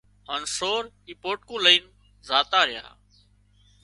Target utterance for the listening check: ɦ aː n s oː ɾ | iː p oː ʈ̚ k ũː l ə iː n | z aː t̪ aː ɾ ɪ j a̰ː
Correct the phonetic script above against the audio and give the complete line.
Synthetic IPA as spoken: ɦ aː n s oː ɾ | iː p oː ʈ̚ k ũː l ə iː n | z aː t̪ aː ɾ ɪ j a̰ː